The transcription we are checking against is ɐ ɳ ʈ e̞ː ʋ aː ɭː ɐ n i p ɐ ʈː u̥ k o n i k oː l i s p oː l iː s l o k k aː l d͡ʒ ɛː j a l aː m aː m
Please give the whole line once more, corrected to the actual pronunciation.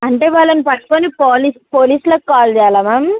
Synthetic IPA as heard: ɐ ɳ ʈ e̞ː ʋ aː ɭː ɐ n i p ɐ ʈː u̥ k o n i p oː l i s p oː l iː s l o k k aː l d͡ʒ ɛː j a l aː m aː m